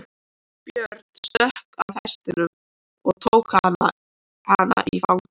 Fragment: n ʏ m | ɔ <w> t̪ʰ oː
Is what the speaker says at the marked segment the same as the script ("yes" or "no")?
no